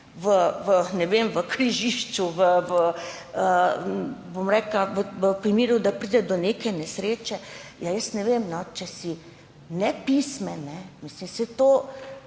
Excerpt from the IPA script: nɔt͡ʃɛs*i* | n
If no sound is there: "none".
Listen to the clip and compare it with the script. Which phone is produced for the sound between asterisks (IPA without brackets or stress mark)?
i